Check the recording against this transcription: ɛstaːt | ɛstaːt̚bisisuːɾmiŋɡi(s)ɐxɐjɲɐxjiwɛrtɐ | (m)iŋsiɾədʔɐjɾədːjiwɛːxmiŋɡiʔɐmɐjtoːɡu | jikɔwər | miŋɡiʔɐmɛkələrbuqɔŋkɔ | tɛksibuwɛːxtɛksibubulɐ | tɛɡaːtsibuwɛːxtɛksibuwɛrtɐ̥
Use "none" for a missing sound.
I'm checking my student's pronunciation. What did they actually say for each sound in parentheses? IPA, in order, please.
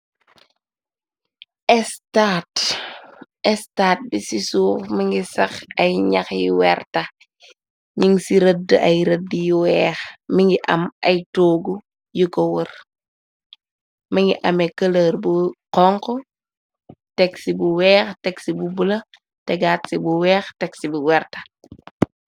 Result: s, ɲ

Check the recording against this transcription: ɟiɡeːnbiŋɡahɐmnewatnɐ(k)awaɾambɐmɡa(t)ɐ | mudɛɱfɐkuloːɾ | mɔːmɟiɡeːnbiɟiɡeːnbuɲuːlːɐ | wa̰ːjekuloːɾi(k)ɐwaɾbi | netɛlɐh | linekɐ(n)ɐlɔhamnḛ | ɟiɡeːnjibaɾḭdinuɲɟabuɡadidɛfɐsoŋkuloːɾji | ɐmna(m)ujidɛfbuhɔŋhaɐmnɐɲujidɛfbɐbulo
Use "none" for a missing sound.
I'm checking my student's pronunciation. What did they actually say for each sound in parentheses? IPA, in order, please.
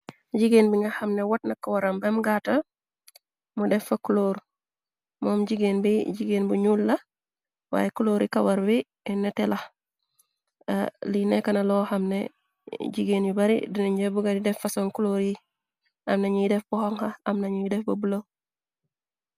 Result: k, t, k, n, ɲ

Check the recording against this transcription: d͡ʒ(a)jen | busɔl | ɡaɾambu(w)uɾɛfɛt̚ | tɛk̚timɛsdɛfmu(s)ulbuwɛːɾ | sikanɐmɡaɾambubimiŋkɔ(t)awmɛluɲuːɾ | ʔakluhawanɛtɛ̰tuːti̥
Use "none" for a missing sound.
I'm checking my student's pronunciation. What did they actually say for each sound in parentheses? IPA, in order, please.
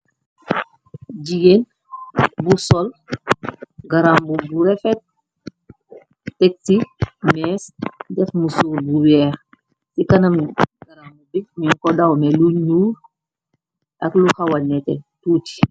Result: i, b, s, d

